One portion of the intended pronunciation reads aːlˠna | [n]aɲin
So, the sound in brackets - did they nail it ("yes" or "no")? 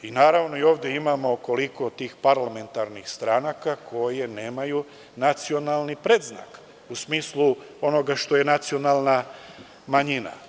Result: no